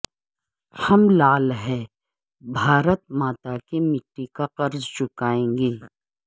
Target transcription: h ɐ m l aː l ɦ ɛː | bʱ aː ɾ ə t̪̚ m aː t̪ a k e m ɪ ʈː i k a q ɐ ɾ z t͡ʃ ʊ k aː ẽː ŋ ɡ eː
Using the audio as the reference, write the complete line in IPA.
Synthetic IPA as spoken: h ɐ m l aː l ɦ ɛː | bʱ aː ɾ ə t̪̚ m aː t̪ a k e m ɪ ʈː i k a q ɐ ɾ z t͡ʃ ʊ k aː ẽː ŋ ɡ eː